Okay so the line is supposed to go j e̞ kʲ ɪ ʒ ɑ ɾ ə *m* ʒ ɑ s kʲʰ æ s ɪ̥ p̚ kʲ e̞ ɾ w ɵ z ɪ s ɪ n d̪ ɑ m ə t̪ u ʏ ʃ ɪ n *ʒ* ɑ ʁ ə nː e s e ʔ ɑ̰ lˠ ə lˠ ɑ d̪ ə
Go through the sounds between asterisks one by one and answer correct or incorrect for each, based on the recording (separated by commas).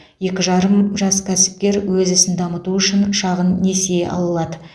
correct, incorrect